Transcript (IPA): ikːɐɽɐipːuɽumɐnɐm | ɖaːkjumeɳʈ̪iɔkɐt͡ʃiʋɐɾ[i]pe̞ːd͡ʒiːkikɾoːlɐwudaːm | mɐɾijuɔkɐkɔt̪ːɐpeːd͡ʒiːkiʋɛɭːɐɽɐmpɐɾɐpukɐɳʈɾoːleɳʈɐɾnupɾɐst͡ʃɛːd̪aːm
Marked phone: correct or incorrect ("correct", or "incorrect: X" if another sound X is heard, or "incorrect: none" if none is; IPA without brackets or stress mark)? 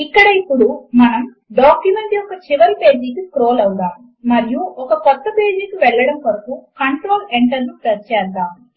correct